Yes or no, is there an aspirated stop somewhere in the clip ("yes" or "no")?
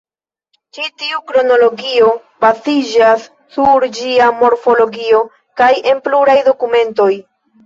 no